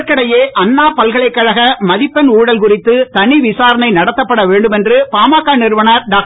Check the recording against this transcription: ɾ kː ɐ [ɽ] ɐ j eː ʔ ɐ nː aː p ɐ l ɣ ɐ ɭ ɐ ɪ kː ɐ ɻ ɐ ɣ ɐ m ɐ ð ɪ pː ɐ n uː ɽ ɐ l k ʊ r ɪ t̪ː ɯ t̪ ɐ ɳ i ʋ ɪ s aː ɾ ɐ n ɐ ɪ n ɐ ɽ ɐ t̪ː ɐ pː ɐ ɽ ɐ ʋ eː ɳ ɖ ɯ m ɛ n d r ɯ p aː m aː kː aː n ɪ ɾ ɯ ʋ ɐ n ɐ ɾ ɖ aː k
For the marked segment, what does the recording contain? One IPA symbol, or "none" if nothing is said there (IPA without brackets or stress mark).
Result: ɽ